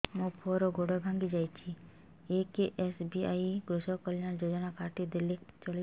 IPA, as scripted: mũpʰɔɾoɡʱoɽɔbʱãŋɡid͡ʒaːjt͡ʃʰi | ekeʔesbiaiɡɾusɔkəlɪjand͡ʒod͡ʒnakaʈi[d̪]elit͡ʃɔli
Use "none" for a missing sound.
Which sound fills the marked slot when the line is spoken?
d̪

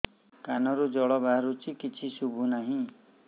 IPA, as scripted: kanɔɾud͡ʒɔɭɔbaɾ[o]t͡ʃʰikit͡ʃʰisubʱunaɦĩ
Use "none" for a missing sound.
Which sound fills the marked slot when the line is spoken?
u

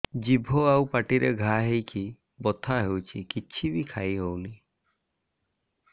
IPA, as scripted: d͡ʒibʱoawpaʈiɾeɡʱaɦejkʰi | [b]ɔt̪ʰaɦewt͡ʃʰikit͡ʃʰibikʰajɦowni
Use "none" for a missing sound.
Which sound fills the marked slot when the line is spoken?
b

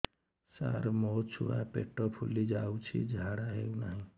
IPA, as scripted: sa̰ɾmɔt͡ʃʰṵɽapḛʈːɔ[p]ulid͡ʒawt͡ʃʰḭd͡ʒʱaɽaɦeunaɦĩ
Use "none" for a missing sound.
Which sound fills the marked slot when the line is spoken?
pʰ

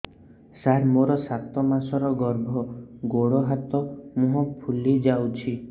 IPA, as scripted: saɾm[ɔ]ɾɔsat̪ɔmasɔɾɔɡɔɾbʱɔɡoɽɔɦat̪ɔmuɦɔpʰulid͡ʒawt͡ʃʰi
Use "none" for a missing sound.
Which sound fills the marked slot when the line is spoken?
o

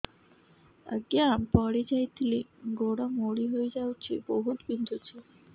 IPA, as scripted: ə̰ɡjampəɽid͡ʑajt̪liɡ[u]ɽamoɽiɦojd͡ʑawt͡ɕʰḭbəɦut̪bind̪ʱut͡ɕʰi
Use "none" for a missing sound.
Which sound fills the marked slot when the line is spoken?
o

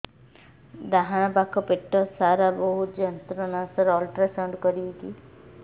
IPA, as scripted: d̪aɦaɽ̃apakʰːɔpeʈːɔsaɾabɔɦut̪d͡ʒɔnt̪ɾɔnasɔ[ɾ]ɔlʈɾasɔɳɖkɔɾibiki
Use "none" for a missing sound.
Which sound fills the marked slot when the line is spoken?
ɾ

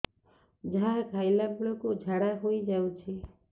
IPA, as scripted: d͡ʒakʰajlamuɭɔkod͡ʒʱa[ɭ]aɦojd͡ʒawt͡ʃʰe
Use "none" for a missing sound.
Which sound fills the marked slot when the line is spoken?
ɽ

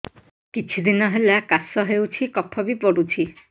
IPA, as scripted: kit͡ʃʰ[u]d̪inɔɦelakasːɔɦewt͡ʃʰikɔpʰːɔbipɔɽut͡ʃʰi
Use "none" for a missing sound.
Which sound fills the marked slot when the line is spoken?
u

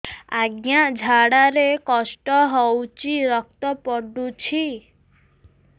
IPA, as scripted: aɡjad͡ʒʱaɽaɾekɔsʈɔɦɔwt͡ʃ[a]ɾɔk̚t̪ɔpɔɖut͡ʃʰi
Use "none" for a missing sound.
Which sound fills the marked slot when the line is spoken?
i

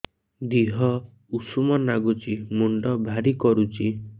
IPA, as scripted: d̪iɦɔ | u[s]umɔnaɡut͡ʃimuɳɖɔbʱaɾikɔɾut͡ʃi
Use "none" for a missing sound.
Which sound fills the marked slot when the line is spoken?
s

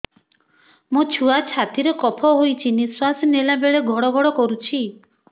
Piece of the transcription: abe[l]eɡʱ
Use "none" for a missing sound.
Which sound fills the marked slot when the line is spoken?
ɭ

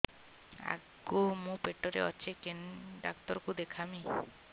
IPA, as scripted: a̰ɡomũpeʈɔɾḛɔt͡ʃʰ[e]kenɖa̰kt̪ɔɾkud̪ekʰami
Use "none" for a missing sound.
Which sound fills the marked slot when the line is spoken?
e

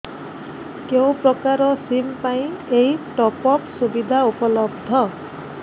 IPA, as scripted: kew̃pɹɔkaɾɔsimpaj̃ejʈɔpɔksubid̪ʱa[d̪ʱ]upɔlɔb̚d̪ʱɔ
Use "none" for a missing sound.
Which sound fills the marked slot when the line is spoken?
none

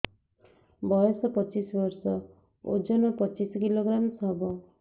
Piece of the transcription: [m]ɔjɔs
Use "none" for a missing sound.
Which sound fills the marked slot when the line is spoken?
b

